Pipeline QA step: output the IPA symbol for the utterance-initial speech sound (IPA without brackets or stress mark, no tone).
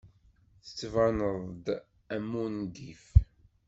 θ